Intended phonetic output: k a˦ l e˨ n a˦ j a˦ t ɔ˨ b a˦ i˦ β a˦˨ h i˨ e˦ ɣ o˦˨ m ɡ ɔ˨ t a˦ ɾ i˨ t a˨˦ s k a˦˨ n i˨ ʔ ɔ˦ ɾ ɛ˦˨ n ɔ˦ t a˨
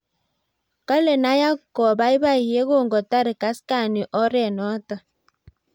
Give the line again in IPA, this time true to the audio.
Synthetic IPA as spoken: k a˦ l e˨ n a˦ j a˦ k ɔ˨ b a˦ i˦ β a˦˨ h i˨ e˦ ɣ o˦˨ ŋ ɡ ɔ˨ t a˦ ɾ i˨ k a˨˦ s k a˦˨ n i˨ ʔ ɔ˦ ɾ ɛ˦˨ n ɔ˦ t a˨